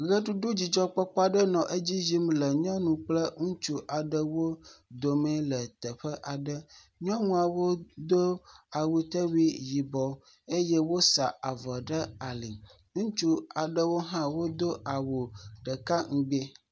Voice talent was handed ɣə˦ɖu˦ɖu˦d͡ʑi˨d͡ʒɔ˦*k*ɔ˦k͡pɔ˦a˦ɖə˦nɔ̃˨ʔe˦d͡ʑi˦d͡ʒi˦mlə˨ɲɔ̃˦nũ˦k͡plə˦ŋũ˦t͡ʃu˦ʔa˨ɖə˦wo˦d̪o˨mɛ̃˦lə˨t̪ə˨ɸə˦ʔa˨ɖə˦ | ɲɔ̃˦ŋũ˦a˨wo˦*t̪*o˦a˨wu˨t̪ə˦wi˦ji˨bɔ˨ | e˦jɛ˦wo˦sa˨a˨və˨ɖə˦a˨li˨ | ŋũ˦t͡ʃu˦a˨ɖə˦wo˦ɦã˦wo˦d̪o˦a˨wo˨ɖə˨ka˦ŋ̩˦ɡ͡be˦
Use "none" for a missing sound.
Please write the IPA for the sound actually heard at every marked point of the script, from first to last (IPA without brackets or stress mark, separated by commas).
k͡p, d̪